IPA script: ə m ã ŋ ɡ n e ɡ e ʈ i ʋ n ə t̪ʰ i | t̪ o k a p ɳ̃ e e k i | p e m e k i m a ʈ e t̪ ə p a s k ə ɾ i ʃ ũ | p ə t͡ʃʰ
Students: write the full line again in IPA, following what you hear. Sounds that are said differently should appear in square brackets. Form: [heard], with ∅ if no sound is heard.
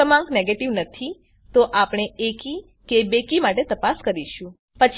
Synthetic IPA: ə m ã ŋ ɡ n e ɡ e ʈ i ʋ n ə t̪ʰ i | t̪ o [ʔ] a p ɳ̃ e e k i | [k] e [b] e k i m a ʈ e t̪ ə p a s k ə ɾ i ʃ ũ | p ə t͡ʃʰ